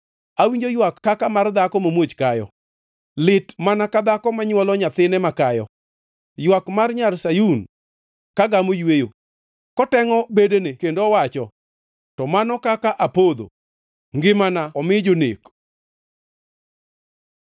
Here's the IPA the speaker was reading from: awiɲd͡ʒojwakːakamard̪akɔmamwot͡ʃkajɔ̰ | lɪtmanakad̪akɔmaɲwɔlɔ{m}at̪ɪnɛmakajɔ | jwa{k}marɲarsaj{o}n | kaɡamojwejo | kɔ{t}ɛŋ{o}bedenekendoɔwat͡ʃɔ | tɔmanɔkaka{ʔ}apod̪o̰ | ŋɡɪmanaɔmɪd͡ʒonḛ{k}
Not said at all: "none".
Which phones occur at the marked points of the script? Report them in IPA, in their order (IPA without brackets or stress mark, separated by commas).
ɲ, k, u, t, ɔ, ʔ, k